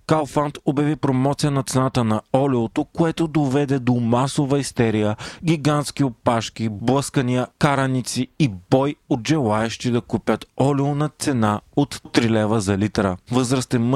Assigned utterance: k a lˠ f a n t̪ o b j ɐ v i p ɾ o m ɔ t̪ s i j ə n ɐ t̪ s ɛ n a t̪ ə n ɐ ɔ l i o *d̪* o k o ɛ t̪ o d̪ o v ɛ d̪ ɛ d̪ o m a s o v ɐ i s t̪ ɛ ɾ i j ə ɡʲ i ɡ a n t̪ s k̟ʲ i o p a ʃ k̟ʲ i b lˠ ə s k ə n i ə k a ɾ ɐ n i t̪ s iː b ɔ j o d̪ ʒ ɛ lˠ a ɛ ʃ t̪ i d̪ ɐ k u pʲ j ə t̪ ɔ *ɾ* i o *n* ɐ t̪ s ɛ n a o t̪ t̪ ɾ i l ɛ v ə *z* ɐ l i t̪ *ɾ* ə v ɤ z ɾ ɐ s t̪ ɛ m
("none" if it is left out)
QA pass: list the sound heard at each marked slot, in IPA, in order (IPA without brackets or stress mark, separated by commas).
t̪, l, n, z, ɾ